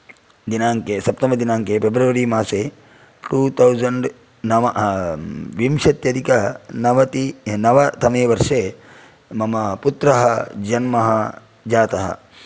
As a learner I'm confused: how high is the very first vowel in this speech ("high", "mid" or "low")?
high